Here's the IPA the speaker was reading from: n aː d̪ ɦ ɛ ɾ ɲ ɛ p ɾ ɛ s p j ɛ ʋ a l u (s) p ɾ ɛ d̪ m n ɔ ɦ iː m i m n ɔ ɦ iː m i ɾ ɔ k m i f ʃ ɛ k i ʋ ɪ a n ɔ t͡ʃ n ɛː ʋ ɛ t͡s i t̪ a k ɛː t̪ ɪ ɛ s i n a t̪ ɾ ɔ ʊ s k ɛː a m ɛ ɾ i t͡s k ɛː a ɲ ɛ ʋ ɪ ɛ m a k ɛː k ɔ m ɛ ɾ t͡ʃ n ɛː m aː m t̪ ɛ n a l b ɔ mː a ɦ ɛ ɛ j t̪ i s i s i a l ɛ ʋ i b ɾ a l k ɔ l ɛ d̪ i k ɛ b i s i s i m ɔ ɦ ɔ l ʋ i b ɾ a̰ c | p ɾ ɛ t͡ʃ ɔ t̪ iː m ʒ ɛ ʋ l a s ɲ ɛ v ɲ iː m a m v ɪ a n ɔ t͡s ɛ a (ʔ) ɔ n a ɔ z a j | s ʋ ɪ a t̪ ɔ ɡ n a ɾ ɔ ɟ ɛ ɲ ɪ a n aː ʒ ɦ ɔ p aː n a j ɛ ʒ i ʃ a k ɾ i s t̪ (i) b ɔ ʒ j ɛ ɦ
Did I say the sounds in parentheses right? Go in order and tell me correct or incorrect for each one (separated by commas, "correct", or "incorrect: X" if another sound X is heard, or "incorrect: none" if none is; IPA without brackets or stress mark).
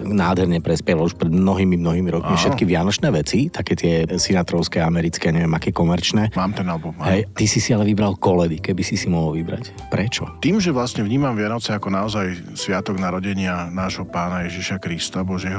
incorrect: ʃ, incorrect: k, incorrect: a